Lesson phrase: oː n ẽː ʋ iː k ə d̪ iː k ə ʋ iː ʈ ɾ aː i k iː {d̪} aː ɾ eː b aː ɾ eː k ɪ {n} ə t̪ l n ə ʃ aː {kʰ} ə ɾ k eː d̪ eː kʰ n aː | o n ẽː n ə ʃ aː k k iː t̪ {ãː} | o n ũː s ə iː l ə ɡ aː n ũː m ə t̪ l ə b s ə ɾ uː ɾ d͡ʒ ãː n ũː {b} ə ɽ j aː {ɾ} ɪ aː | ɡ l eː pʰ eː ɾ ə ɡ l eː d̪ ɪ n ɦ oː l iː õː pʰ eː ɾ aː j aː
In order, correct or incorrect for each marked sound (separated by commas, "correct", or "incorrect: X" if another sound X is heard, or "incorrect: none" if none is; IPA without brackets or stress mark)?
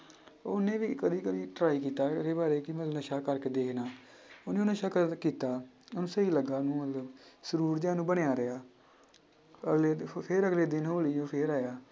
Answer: incorrect: t̪, incorrect: m, incorrect: k, incorrect: aː, correct, correct